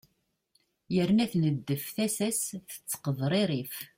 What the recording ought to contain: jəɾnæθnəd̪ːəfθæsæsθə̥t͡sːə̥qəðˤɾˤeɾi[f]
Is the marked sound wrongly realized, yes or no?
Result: no